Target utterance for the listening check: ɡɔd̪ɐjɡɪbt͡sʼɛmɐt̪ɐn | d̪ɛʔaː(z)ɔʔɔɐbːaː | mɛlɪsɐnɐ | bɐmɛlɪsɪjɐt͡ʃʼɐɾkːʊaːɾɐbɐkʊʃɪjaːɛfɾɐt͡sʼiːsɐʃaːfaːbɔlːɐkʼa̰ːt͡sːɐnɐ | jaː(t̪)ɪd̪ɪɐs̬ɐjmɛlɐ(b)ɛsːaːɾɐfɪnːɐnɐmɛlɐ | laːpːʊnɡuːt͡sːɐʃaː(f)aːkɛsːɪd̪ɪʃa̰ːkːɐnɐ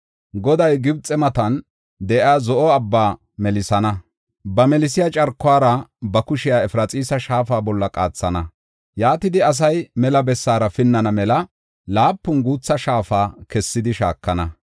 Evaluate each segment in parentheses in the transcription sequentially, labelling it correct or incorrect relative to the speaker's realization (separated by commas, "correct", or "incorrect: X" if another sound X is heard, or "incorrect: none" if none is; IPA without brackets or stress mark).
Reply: correct, correct, correct, correct